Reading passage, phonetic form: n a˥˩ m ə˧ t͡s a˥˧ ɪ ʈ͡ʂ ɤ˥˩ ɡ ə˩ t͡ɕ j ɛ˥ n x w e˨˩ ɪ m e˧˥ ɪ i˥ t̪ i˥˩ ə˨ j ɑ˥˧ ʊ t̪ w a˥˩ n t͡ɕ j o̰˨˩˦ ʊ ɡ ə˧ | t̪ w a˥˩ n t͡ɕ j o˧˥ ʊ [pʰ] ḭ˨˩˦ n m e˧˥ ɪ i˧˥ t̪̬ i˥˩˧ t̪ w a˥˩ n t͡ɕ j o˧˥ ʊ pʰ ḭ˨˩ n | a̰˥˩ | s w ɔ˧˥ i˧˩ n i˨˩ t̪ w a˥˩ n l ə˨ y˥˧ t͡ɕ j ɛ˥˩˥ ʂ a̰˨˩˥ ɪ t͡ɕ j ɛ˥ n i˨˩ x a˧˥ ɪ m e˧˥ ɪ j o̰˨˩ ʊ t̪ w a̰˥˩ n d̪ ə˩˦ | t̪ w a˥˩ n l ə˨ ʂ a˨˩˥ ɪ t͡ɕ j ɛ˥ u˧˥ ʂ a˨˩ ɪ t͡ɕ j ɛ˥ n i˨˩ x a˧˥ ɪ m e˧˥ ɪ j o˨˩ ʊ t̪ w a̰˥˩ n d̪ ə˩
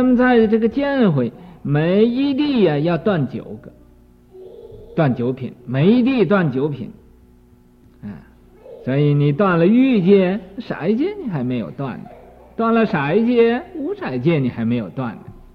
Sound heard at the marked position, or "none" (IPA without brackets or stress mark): pʰ